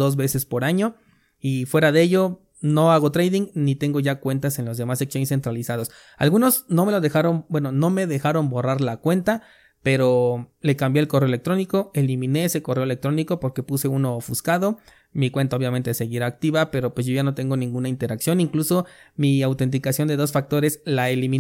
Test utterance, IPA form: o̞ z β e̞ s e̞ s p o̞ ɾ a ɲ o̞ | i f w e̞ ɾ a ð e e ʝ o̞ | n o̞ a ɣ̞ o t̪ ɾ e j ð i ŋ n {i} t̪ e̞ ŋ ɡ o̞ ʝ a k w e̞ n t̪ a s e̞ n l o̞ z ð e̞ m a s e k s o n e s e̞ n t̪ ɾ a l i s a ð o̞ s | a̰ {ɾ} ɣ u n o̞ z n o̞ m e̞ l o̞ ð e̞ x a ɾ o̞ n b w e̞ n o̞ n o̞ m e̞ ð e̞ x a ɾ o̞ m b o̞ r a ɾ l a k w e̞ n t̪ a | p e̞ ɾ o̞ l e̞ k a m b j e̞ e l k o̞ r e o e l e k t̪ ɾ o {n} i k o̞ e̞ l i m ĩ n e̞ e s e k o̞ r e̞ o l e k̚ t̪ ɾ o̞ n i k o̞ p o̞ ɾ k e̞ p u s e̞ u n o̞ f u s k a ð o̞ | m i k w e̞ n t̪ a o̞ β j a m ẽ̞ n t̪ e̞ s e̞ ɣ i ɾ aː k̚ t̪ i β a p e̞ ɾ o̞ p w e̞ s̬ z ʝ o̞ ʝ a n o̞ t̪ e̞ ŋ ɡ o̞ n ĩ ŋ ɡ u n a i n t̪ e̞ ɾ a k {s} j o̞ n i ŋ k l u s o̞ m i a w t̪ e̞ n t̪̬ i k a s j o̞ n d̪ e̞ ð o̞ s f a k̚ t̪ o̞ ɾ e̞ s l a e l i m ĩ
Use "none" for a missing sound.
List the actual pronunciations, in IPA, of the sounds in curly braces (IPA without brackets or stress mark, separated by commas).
i, l, n, s